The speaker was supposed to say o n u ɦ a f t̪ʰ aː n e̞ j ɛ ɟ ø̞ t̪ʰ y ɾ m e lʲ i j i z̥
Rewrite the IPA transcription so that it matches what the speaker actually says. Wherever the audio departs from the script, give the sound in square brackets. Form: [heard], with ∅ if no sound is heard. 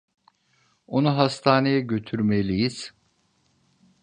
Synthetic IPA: o n u ɦ a [s] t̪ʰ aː n e̞ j ɛ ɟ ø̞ t̪ʰ y ɾ m e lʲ i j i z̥